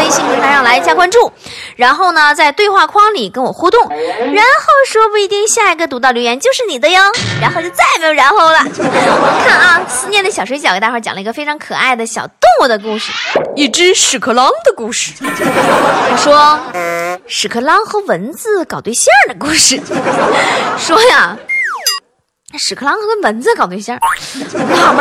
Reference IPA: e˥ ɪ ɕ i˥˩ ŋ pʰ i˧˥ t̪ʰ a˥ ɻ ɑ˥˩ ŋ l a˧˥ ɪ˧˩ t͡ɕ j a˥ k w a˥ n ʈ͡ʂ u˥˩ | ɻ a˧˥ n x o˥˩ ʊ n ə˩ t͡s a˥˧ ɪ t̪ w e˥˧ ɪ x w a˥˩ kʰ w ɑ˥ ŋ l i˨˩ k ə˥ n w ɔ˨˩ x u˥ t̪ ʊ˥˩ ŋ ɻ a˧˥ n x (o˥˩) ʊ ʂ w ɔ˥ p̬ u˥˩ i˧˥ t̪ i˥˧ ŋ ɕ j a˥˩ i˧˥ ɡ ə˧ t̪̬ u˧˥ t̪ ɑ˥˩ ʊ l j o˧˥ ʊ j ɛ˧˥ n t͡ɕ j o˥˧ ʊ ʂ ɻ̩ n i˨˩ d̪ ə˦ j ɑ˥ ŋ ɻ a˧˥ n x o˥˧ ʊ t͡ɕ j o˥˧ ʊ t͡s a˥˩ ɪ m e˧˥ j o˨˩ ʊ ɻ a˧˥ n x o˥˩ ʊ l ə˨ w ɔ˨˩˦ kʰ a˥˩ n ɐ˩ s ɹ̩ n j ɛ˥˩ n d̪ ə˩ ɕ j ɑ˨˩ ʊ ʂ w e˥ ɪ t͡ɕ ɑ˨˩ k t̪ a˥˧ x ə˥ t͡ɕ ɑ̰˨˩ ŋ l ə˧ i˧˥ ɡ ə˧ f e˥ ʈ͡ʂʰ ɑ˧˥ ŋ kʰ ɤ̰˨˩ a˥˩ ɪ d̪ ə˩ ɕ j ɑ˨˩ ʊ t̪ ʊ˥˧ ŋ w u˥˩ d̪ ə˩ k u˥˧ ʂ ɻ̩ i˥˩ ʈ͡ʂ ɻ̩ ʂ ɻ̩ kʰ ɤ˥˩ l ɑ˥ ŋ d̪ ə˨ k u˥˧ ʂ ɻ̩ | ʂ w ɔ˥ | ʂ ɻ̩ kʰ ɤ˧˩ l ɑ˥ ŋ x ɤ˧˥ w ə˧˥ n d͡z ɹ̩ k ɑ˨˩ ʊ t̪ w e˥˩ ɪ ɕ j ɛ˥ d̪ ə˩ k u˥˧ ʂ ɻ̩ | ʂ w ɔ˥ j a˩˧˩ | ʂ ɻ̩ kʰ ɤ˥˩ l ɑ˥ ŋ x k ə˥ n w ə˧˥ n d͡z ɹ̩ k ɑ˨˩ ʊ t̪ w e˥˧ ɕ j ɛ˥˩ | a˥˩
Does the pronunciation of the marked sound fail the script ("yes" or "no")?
no